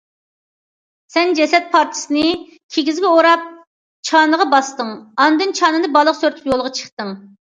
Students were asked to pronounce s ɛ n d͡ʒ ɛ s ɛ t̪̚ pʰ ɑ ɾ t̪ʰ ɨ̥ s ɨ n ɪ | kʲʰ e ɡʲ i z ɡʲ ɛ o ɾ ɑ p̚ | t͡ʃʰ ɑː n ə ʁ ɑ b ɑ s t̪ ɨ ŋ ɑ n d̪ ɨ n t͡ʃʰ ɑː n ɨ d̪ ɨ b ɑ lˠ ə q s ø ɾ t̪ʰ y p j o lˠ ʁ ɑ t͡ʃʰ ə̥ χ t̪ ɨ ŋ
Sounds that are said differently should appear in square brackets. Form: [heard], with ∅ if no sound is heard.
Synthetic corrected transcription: s ɛ n d͡ʒ ɛ s ɛ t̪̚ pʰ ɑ ɾ t̪ʰ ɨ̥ s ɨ n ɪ | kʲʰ e ɡʲ i z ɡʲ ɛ o ɾ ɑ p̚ | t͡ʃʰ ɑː n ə ʁ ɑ b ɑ s t̪ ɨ ŋ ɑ n d̪ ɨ n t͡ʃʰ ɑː n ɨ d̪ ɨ b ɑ lˠ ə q s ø ɾ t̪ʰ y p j o lˠ ʁ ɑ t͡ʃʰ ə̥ χ t̪ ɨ ŋ